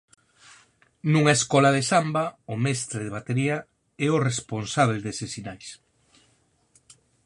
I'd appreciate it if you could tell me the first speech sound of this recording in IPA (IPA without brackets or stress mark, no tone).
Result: n